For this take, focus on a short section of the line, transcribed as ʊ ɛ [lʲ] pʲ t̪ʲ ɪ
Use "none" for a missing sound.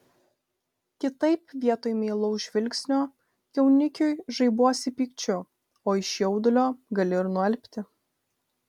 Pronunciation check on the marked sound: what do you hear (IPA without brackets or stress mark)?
lʲ